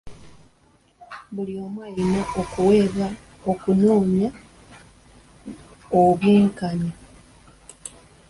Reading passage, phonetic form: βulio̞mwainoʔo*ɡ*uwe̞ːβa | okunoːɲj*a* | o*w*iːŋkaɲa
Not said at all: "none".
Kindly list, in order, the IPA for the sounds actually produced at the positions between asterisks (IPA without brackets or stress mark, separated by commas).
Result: k, a, β